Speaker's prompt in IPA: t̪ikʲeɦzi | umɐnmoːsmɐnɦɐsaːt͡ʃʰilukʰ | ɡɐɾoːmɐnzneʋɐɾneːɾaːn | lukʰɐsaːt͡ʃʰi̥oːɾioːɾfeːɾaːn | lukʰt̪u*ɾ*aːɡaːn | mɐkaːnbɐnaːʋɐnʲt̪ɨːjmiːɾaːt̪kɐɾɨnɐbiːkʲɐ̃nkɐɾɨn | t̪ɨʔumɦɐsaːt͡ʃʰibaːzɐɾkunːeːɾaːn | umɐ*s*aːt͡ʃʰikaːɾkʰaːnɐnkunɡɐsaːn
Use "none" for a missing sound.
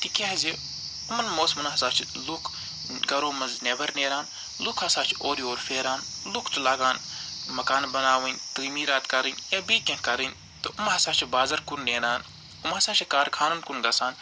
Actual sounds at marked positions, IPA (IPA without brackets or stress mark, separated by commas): l, s